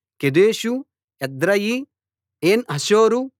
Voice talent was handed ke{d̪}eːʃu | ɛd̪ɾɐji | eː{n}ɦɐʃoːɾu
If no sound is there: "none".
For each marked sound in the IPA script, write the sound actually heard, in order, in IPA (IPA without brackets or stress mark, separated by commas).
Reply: d̪, n